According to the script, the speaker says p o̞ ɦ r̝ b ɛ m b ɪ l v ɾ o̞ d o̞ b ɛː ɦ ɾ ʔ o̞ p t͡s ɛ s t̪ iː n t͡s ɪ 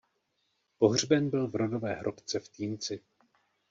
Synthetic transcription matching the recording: p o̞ ɦ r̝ b ɛ n b ɪ l v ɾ o̞ d o̞ v ɛː ɦ ɾ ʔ o̞ p t͡s ɛ f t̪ iː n t͡s ɪ